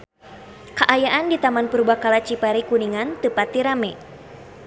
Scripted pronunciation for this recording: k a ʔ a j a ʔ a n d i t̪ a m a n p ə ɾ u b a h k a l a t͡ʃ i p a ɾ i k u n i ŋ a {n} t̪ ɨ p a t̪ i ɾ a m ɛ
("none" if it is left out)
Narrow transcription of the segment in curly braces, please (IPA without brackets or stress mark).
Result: n